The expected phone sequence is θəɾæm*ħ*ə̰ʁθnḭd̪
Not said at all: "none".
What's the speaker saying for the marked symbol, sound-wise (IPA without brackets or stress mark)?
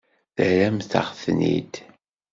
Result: θ